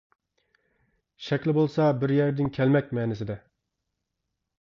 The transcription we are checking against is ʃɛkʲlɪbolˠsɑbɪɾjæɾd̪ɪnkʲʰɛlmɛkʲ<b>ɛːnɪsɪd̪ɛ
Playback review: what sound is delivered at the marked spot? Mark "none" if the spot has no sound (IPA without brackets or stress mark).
m